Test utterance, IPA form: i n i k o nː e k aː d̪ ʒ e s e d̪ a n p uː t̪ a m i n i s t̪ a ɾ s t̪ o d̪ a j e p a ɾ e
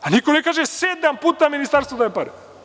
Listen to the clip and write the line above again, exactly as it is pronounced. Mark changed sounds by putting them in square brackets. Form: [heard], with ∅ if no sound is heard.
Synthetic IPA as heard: [a] n i k o [n] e k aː [∅] ʒ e s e d̪ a [m] p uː t̪ a m i n i s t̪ a ɾ s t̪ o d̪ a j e p a ɾ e

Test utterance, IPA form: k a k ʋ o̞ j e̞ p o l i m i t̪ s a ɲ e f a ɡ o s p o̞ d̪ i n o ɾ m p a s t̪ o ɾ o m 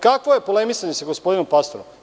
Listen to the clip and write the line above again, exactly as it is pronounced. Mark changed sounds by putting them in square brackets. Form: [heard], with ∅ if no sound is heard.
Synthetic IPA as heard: k a k ʋ o̞ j e̞ p o l [e] m i [∅] s a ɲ e [s] a ɡ o s p o̞ d̪ i n o [∅] m p a s t̪ o ɾ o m

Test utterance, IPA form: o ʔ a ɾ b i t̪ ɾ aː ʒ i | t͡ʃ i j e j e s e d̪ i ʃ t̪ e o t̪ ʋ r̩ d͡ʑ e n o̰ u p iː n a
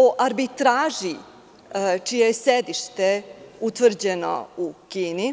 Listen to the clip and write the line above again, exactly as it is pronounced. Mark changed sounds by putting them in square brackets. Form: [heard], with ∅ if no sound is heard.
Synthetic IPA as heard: o ʔ a ɾ b i t̪ ɾ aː ʒ i | t͡ʃ i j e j e s e d̪ i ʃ t̪ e [u] t̪ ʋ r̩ d͡ʑ e n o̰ u [k] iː n [i]

